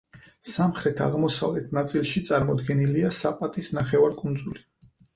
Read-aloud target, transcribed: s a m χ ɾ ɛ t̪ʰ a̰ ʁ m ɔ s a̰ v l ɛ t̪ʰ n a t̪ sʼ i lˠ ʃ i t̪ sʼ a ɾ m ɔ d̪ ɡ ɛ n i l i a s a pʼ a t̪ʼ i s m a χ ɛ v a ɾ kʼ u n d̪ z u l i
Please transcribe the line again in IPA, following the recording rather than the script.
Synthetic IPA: s a m χ ɾ ɛ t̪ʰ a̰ ʁ m ɔ s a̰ v l ɛ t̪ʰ n a t̪ sʼ i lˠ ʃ i t̪ sʼ a ɾ m ɔ d̪ ɡ ɛ n i l i a s a pʼ a t̪ʼ i s n a χ ɛ v a ɾ kʼ u n d̪ z u l i

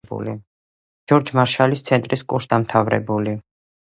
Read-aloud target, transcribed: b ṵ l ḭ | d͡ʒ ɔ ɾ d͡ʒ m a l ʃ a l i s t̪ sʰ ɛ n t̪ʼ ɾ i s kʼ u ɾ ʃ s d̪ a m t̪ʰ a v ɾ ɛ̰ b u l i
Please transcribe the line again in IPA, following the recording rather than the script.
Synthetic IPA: b ṵ l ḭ | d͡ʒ ɔ ɾ d͡ʒ m a ɾ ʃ a l i s t̪ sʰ ɛ n t̪ʼ ɾ i s kʼ u ɾ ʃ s d̪ a m t̪ʰ a v ɾ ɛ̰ b u l i

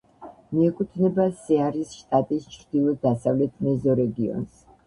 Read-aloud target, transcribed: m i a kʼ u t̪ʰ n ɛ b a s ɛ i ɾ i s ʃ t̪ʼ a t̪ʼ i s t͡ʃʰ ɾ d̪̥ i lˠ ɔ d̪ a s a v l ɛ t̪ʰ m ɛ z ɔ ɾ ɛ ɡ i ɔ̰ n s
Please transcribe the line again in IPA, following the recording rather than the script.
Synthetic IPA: m i ɛ kʼ u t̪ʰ n ɛ b a s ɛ a ɾ i s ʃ t̪ʼ a t̪ʼ i s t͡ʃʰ ɾ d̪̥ i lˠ ɔ d̪ a s a v l ɛ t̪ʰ m ɛ z ɔ ɾ ɛ ɡ i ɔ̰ n s

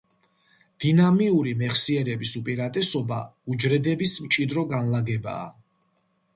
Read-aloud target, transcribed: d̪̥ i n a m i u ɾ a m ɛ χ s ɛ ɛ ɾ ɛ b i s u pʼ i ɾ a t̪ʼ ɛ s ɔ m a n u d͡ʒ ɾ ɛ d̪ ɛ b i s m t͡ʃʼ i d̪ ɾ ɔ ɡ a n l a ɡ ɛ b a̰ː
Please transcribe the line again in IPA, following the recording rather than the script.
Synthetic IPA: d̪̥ i n a m i u ɾ i m ɛ χ s i ɛ ɾ ɛ b i s u pʼ i ɾ a t̪ʼ ɛ s ɔ b a u d͡ʒ ɾ ɛ d̪ ɛ b i s m t͡ʃʼ i d̪ ɾ ɔ ɡ a n l a ɡ ɛ b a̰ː

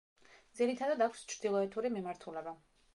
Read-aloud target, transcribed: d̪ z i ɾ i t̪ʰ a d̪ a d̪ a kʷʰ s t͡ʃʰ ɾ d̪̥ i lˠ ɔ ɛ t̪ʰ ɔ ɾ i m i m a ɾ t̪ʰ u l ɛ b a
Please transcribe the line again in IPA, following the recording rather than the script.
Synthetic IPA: d̪ z i ɾ i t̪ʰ a d̪ a d̪ a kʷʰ s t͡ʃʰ ɾ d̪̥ i lˠ ɔ ɛ t̪ʰ u ɾ i m i m a ɾ t̪ʰ u l ɛ b a

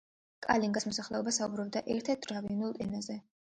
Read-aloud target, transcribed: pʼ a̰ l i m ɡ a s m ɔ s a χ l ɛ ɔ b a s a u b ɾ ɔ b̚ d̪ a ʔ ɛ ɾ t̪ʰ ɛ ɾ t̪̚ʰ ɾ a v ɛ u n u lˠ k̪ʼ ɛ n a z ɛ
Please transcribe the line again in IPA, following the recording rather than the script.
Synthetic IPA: kʼ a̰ l i ŋ ɡ a s m ɔ s a χ l ɛ ɔ b a s a u b ɾ ɔ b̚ d̪ a ʔ ɛ ɾ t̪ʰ ɛ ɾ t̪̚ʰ ɾ a v i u n u lˠ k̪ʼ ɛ n a z ɛ

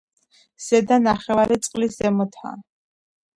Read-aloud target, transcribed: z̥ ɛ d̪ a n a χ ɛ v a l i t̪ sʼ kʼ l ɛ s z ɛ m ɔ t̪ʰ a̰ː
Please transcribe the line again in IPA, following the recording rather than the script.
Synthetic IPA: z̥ ɛ d̪ a n a χ ɛ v a ɾ i t̪ sʼ qʼ l i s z ɛ m ɔ t̪ʰ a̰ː

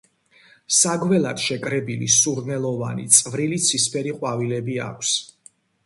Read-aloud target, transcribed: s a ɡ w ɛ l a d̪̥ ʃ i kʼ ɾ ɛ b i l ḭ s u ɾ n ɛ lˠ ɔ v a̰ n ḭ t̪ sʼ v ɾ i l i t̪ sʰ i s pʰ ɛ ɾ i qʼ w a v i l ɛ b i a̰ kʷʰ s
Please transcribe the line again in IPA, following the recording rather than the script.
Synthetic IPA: s a ɡ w ɛ l a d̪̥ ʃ ɛ kʼ ɾ ɛ b i l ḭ s u ɾ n ɛ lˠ ɔ v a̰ n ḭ t̪ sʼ v ɾ i l i t̪ sʰ i s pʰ ɛ ɾ i qʼ w a v i l ɛ b i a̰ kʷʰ s

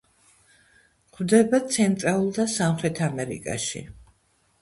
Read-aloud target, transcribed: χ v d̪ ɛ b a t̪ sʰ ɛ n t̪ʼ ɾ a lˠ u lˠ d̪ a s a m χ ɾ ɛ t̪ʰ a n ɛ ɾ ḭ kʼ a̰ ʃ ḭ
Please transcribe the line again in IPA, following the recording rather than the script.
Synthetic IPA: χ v d̪ ɛ b a t̪ sʰ ɛ n t̪ʼ ɾ a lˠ u lˠ d̪ a s a m χ ɾ ɛ t̪ʰ a m ɛ ɾ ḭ kʼ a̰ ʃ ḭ

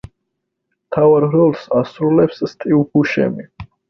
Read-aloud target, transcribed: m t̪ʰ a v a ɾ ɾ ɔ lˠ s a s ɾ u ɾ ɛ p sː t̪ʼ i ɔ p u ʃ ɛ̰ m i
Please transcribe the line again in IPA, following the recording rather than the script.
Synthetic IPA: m t̪ʰ a v a ɾ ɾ ɔ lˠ s a s ɾ u l ɛ p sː t̪ʼ i u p u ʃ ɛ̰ m i

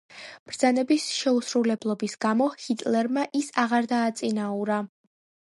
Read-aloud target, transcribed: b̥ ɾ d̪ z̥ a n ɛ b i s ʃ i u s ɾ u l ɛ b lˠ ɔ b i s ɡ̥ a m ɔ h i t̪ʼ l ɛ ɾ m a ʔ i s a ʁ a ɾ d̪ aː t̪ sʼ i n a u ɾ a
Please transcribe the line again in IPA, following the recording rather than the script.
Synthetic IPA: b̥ ɾ d̪ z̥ a n ɛ b i s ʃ ɛ u s ɾ u l ɛ b lˠ ɔ b i s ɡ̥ a m ɔ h i t̪ʼ l ɛ ɾ m a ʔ i s a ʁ a ɾ d̪ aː t̪ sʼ i n a u ɾ a

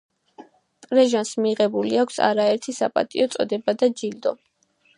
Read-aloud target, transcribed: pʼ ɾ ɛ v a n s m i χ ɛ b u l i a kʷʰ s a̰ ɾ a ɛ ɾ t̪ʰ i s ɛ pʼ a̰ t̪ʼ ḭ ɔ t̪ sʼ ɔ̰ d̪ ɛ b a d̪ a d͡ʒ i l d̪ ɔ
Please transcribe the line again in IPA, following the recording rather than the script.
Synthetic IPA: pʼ ɾ ɛ ʒ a n s m i ʁ ɛ b u l i a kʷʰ s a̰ ɾ a ɛ ɾ t̪ʰ i s a pʼ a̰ t̪ʼ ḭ ɔ t̪ sʼ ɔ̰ d̪ ɛ b a d̪ a d͡ʒ i l d̪ ɔ

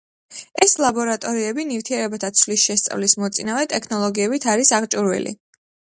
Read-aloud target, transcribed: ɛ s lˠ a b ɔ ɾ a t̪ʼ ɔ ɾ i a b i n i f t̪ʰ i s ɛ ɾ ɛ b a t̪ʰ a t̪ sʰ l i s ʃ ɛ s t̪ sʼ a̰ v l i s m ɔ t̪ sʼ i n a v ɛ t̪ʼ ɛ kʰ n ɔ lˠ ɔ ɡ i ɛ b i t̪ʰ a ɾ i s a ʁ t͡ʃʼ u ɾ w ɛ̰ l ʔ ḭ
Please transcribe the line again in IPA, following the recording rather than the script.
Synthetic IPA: ɛ s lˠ a b ɔ ɾ a t̪ʼ ɔ ɾ i ɛ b i n i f t̪ʰ i ɛ ɾ ɛ b a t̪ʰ a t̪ sʰ l i s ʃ ɛ s t̪ sʼ a̰ v l i s m ɔ t̪ sʼ i n a v ɛ t̪ʼ ɛ kʰ n ɔ lˠ ɔ ɡ i ɛ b i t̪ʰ a ɾ i s a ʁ t͡ʃʼ u ɾ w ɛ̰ l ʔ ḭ

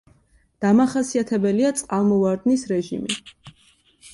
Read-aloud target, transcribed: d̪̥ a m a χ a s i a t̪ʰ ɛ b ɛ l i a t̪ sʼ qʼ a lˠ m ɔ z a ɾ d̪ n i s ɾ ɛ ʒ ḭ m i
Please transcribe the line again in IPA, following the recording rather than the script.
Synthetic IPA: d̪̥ a m a χ a s i a t̪ʰ ɛ b ɛ l i a t̪ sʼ qʼ a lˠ m ɔ v a ɾ d̪ n i s ɾ ɛ ʒ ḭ m i

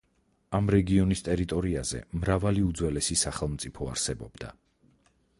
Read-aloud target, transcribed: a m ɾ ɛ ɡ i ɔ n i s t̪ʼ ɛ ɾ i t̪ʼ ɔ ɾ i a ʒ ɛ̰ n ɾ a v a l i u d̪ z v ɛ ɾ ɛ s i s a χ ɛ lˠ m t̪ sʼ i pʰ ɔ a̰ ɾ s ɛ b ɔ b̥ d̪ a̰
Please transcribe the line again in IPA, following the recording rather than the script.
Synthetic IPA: a m ɾ ɛ ɡ i ɔ n i s t̪ʼ ɛ ɾ i t̪ʼ ɔ ɾ i a z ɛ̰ m ɾ a v a l i u d̪ z w ɛ l ɛ s i s a χ ɛ lˠ m t̪ sʼ i pʰ ɔ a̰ ɾ s ɛ b ɔ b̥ d̪ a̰

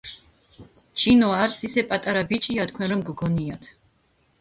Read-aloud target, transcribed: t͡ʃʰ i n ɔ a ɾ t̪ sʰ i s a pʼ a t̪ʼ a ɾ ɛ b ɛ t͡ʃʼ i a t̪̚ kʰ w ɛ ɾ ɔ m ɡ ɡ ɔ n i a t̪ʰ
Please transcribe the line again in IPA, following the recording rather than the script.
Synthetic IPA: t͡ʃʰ i n ɔ a ɾ t̪ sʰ i s ɛ pʼ a t̪ʼ a ɾ a b i t͡ʃʼ i a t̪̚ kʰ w ɛ ɾ ɔ m ɡ ɡ ɔ n i a t̪ʰ

